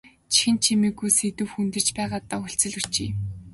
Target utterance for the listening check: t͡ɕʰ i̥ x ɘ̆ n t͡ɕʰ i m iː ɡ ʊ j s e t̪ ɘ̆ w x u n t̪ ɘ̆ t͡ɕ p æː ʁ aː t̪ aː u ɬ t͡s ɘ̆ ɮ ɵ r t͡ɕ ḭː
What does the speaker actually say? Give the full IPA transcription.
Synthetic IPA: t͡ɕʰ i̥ x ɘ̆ n t͡ɕʰ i m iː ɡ u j s e t̪ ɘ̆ w x u n t̪ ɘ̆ t͡ɕ p æː ʁ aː t̪ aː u ɬ t͡s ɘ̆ ɮ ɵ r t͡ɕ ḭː